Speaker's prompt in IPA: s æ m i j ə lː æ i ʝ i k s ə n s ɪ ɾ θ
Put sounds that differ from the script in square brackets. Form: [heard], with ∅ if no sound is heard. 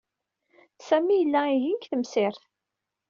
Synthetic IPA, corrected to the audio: s æ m i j ə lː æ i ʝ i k [θ] ə [m] s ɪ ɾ θ